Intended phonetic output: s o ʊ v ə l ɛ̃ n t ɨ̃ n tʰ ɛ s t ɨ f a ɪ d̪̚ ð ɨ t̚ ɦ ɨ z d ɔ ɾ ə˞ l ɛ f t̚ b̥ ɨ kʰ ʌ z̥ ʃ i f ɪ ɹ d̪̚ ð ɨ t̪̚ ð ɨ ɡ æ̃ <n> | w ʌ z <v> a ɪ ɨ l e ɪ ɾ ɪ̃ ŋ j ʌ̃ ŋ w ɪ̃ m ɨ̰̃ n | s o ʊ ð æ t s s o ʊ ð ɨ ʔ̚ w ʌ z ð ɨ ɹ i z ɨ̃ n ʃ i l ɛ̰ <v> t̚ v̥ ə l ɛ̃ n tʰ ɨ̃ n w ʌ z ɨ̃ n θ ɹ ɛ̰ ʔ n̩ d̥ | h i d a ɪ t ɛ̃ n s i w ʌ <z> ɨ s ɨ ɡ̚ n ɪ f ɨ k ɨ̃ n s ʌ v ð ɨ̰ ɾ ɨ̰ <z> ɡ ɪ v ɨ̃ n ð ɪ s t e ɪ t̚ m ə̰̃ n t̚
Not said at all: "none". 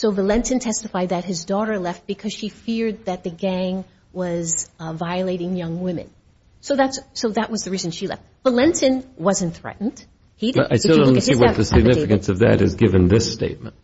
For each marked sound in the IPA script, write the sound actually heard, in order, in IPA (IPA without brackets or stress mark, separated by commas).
ŋ, v, f, ð, z